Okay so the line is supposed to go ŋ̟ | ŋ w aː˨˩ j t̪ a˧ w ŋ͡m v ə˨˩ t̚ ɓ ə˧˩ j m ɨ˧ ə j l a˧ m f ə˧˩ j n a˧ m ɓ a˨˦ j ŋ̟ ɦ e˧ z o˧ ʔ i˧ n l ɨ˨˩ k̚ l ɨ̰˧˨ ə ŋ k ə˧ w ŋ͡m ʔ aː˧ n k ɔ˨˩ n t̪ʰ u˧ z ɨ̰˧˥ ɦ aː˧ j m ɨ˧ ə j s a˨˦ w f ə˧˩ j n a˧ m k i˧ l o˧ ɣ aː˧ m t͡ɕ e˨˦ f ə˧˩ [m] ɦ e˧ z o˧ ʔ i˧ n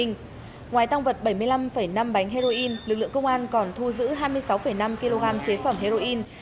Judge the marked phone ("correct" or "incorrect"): correct